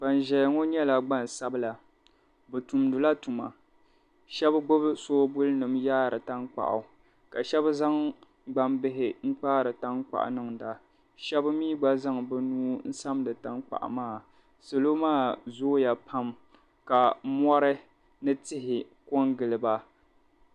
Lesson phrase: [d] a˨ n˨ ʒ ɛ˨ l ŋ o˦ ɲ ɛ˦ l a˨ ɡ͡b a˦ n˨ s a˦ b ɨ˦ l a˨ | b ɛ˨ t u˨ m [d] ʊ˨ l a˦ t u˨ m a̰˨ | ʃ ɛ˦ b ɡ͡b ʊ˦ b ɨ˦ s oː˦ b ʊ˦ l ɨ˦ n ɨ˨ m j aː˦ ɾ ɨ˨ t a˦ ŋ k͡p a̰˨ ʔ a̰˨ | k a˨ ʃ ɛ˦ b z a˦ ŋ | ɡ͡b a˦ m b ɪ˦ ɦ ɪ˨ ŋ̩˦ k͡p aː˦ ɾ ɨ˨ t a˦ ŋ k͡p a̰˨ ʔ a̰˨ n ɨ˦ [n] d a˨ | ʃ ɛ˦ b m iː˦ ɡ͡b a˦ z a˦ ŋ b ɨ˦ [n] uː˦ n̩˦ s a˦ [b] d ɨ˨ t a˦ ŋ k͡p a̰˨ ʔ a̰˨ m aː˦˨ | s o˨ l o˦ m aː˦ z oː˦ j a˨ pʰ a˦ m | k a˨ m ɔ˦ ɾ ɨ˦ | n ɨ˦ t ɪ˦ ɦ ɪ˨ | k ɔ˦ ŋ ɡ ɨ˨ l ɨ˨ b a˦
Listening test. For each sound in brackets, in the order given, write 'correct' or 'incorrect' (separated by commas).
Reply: incorrect, correct, incorrect, correct, incorrect